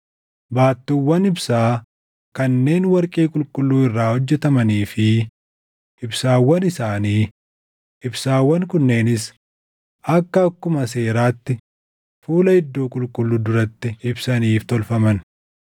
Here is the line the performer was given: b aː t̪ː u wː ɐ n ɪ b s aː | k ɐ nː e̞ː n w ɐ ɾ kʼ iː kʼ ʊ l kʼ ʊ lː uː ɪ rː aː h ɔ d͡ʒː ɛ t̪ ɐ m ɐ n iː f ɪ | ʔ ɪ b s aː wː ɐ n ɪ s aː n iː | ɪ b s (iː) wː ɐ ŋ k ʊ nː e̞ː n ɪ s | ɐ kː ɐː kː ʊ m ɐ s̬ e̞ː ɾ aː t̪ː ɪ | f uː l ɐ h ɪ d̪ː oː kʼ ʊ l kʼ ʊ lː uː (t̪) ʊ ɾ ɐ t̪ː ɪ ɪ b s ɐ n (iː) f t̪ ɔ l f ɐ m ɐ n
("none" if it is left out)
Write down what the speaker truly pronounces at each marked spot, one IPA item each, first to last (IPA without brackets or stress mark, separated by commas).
aː, d̪, iː